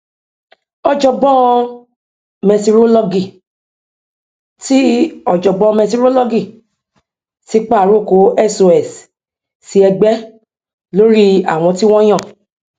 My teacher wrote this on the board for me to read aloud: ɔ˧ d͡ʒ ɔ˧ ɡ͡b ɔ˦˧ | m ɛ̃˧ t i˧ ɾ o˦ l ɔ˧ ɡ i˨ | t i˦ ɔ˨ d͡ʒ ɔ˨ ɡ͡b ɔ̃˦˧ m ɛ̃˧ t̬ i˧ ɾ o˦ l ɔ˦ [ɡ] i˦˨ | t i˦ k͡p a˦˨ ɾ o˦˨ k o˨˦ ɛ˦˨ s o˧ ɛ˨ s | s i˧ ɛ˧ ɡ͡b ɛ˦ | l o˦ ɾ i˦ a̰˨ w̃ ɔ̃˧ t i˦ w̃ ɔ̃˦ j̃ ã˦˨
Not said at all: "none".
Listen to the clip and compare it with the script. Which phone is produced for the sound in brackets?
ɡ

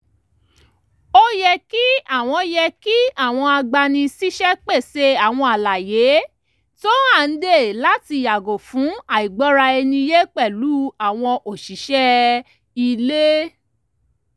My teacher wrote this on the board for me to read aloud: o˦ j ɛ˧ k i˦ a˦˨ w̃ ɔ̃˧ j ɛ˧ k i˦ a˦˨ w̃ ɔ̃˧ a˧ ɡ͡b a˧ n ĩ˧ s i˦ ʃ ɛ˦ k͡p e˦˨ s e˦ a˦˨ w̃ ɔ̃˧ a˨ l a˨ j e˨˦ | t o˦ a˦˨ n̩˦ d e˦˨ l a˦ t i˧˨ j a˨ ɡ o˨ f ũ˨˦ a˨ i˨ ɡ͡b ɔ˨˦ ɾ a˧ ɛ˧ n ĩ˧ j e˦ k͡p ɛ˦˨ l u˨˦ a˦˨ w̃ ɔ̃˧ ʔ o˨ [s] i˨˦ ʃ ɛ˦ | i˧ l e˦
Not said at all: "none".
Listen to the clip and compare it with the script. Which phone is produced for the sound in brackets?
ʃ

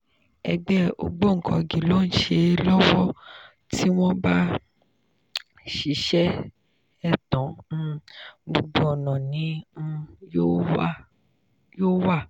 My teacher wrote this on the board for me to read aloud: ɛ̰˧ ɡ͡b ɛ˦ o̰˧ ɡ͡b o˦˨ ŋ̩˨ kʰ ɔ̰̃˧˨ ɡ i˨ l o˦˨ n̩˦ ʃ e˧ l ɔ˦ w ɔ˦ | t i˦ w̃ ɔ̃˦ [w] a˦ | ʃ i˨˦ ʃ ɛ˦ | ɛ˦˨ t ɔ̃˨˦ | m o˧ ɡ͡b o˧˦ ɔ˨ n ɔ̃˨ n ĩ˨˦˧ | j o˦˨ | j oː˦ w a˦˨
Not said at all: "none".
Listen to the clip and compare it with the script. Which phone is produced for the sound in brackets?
b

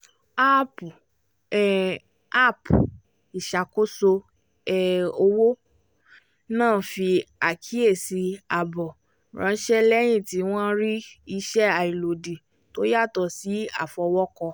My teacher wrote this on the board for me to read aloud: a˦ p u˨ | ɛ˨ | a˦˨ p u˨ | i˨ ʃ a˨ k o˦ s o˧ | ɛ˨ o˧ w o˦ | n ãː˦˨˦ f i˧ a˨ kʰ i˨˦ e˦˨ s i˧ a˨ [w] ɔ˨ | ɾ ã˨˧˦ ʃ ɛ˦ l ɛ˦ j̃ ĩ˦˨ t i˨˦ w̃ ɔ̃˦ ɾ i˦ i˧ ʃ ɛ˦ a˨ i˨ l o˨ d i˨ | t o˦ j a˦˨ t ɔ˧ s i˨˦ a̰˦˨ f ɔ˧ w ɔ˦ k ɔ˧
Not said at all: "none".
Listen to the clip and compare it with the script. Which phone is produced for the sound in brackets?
b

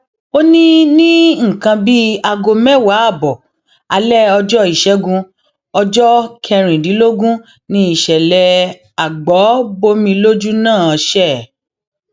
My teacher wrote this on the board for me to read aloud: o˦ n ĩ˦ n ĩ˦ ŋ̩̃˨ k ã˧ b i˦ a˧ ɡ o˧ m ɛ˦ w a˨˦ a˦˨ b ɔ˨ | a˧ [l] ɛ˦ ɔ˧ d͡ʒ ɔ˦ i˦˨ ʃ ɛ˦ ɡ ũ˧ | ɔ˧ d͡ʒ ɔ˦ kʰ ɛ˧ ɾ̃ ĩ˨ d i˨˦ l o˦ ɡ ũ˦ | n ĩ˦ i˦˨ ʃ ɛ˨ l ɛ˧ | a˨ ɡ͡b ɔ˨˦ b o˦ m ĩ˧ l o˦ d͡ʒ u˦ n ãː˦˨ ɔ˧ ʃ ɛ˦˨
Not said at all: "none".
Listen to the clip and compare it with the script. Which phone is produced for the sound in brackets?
l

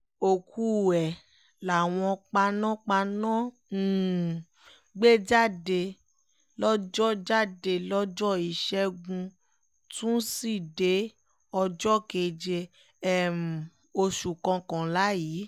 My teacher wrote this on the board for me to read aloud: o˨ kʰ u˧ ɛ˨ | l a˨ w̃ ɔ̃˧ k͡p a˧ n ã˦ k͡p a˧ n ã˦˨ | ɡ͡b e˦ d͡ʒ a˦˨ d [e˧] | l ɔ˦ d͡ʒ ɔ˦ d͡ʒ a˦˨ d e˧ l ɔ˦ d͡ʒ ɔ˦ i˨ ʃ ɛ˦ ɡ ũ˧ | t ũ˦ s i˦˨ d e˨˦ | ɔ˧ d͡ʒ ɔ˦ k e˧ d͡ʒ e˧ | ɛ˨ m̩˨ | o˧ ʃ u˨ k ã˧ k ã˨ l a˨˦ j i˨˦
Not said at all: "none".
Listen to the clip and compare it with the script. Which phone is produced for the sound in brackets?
e˧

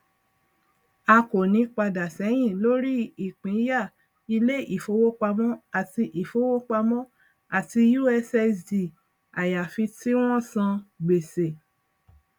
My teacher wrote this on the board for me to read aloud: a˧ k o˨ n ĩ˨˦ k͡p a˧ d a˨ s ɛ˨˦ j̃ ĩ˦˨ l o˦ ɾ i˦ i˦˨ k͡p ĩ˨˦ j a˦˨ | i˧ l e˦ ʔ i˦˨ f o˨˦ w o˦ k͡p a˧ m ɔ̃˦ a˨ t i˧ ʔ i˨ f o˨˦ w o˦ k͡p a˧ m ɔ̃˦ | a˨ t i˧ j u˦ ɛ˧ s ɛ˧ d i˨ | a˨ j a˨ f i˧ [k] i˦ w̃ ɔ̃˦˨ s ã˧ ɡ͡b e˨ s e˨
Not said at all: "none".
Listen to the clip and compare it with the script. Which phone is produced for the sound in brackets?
t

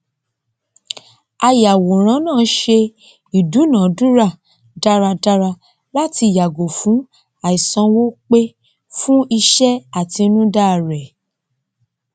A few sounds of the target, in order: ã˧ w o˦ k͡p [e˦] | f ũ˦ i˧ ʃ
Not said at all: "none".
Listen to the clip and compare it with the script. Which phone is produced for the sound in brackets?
e˦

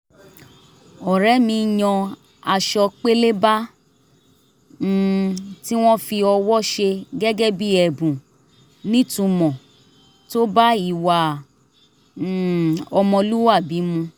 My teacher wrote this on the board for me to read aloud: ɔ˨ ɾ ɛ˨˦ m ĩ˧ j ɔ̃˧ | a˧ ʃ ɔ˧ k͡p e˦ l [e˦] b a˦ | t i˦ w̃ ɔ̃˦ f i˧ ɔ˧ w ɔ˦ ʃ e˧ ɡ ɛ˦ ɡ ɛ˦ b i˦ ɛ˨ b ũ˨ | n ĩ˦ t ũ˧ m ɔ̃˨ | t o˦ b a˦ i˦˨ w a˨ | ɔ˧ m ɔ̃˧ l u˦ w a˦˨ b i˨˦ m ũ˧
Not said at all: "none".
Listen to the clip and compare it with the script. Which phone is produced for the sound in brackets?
e˦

